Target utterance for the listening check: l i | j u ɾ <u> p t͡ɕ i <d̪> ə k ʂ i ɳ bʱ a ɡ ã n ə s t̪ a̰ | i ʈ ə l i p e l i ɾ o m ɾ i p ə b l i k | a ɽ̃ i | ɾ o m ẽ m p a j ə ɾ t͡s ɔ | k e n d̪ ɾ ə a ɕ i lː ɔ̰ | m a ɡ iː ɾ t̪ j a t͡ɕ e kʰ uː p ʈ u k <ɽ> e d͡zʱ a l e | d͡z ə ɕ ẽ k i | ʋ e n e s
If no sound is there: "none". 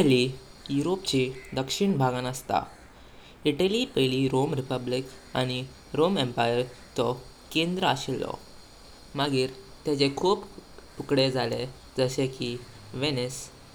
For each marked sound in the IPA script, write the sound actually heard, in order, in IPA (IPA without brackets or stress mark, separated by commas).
o, d̪, ɽ